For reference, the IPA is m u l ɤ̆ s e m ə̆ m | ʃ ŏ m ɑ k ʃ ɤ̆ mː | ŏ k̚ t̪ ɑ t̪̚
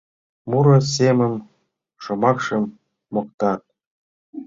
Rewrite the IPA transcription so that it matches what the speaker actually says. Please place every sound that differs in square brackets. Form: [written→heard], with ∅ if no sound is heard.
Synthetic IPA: m u [l→ɾ] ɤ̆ s e m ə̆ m | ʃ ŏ m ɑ k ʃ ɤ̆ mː | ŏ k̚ t̪ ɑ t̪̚

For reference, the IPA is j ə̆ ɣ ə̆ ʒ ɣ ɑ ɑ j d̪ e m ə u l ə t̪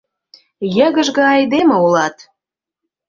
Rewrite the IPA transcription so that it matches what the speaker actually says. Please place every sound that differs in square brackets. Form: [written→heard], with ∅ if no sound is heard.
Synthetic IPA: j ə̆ ɣ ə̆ ʒ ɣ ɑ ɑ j d̪ e m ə u l [ə→ɑ] t̪

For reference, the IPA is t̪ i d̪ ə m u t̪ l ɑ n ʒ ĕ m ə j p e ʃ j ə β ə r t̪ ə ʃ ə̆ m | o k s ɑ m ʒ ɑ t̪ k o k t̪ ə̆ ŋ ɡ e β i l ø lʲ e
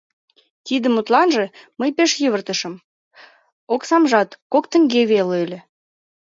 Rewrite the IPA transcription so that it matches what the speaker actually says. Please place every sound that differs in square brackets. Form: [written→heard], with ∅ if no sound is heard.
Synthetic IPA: t̪ i d̪ ə m u t̪ l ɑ n ʒ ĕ m ə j p e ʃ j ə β ə r t̪ ə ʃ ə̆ m | o k s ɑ m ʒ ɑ t̪ k o k t̪ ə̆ ŋ ɡ e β [i→e] l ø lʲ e

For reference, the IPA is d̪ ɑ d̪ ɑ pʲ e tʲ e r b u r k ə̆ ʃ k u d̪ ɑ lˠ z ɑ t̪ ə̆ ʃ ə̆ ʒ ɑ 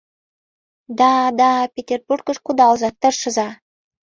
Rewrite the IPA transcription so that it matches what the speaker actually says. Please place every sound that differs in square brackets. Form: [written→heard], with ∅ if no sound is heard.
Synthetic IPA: d̪ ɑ d̪ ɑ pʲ e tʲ e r b u r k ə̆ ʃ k u d̪ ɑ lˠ z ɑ t̪ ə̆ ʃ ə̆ [ʒ→z] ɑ

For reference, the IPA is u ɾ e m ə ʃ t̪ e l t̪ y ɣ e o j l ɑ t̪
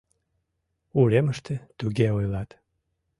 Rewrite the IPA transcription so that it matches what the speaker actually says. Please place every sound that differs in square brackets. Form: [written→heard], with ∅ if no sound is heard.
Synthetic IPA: u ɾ e m ə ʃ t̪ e [l→∅] t̪ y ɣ e o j l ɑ t̪

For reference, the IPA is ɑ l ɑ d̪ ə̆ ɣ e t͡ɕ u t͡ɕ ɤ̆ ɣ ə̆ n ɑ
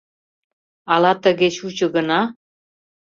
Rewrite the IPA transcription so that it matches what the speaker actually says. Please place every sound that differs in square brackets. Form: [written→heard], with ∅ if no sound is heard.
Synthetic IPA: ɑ l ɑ [d̪→t̪] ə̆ ɣ e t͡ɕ u t͡ɕ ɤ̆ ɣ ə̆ n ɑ

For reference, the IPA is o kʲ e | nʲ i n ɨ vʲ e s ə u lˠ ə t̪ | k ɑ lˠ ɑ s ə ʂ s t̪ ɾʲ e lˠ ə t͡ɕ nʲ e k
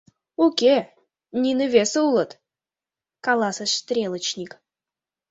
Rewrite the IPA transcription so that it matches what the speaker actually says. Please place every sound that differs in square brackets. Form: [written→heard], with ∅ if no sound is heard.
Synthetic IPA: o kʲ e | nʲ i n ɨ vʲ e s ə u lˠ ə t̪ | k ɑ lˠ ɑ s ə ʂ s t̪ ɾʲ e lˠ ə t͡ɕ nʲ [e→i] k

